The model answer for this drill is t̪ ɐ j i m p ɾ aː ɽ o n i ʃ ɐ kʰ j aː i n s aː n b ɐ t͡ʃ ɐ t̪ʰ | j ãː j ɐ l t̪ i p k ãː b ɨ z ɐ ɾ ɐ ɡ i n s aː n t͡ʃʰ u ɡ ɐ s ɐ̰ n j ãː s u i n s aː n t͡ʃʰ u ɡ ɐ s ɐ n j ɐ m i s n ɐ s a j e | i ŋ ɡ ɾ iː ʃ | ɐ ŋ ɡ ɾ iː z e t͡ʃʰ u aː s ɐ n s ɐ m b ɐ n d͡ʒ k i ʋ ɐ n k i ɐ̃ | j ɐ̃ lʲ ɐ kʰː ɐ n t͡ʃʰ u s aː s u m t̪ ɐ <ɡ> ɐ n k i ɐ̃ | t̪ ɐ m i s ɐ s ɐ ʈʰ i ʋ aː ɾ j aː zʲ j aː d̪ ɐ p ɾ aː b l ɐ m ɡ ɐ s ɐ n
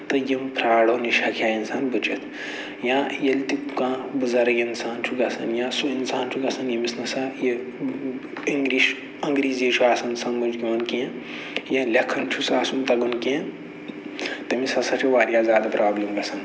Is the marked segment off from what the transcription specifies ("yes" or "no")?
no